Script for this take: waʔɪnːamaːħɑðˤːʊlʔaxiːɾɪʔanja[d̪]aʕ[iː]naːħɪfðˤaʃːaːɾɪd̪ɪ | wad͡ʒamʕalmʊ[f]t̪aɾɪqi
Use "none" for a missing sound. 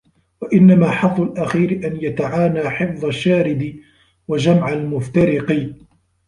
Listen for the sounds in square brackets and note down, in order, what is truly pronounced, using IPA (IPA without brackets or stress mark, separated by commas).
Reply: t̪, aː, f